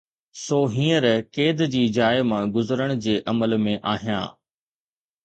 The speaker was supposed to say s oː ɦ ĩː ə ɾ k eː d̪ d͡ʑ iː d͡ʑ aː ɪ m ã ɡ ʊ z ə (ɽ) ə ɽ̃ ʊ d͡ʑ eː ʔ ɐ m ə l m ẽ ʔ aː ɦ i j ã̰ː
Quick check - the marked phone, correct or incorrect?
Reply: incorrect